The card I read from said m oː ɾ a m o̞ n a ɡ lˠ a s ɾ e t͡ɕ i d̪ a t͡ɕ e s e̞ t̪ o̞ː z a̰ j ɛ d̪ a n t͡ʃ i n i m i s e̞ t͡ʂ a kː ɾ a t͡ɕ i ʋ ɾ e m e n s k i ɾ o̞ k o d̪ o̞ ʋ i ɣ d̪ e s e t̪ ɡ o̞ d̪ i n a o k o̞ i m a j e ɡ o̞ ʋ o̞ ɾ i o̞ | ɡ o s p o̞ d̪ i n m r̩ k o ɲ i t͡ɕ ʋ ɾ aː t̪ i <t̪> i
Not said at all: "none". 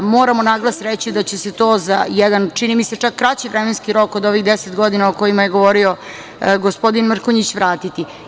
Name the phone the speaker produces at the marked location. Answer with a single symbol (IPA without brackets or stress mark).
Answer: t̪